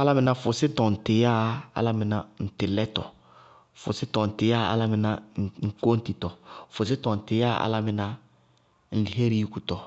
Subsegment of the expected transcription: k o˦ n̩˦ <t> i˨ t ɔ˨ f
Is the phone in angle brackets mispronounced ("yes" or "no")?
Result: no